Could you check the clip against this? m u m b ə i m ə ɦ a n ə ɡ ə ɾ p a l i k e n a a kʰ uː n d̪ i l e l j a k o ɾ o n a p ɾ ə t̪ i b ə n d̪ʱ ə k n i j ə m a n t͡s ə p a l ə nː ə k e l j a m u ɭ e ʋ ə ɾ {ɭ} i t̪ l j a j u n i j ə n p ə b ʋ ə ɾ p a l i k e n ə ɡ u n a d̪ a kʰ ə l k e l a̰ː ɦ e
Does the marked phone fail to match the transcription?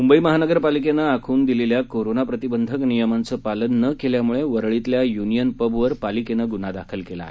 no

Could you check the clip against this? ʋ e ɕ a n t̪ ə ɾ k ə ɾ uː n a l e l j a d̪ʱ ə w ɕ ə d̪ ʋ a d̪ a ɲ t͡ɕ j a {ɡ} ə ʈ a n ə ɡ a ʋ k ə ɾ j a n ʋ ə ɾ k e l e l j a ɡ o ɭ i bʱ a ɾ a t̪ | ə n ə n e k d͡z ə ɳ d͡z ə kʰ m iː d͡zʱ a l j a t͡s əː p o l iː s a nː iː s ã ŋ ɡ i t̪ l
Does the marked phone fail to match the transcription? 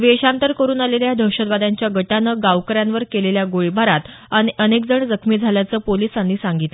no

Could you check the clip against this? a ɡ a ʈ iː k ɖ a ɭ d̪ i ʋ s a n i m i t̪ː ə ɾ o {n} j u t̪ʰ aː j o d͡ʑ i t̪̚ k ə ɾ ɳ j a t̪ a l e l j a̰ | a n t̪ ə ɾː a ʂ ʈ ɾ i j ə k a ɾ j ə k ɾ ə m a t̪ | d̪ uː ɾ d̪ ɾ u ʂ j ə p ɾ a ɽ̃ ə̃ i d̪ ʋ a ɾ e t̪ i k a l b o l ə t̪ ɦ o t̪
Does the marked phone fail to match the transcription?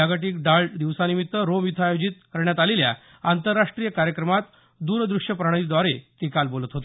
yes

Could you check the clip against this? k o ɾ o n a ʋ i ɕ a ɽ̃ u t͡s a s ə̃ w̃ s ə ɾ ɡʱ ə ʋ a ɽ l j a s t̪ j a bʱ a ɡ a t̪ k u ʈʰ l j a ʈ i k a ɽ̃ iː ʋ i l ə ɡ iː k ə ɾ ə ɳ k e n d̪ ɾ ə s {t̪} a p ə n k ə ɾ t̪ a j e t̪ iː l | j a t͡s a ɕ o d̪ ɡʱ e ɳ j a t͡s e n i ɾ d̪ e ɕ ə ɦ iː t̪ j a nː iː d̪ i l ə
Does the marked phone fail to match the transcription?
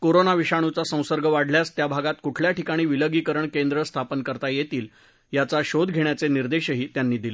yes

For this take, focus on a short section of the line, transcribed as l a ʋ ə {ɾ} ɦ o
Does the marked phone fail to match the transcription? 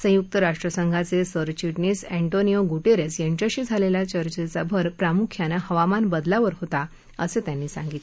no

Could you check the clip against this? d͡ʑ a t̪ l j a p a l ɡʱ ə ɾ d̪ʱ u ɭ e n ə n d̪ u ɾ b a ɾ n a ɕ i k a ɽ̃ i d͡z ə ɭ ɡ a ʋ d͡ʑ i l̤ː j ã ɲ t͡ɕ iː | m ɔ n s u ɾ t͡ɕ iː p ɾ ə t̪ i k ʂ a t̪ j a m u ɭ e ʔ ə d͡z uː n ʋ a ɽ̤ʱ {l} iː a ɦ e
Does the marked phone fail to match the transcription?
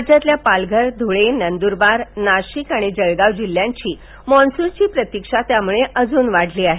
no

